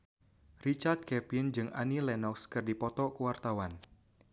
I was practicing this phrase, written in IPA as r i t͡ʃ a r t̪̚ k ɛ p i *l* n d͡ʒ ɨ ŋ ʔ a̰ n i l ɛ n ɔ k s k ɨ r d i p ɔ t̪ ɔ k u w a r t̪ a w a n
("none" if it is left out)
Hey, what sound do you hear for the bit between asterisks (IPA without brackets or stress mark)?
none